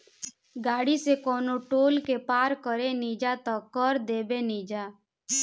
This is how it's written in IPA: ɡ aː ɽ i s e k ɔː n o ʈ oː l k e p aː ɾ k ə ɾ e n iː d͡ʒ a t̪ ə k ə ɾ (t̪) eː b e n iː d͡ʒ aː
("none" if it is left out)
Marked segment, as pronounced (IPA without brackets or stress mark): d̪